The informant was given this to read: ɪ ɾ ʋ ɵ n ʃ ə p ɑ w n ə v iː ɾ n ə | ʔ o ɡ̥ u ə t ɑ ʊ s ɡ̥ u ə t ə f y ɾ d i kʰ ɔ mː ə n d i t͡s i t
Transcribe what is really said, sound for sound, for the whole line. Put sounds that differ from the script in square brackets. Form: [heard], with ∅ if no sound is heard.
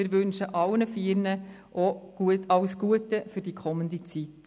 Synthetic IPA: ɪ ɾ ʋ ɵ n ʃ ə [ʔ] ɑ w n ə [f] iː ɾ n ə | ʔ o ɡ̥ u ə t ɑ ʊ s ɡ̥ u ə t ə f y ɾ d i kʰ ɔ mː ə n d i t͡s i t